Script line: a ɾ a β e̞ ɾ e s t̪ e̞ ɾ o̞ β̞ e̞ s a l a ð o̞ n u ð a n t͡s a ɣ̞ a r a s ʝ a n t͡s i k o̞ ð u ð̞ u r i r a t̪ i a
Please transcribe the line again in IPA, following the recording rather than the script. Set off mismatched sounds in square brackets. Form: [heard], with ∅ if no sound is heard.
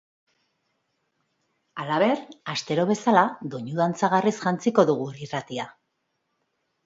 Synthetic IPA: a [l] a β e̞ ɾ [a] s t̪ e̞ ɾ o̞ β̞ e̞ s a l a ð o̞ [ɲ] u ð a n t͡s a ɣ̞ a r [i] s ʝ a n t͡s i k o̞ ð u [ɣ̞] u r i r a t̪ i a